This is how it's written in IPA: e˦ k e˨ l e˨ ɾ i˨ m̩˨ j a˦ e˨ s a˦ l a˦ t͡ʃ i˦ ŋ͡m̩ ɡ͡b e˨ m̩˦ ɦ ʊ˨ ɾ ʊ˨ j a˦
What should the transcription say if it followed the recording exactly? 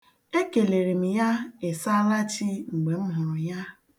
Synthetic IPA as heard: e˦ k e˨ l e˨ ɾ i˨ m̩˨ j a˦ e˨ s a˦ l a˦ t͡ʃ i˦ ŋ͡m̩ ɡ͡b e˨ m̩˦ ɦ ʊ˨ ɾ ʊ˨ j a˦